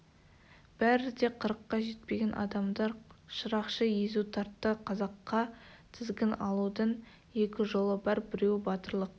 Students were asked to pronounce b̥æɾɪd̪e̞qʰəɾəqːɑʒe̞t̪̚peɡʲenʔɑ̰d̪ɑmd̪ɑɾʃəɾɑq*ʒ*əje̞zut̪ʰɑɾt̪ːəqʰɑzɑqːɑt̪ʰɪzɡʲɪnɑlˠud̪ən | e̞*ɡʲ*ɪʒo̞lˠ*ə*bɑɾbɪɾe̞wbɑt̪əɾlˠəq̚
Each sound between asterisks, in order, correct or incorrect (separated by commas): incorrect, incorrect, correct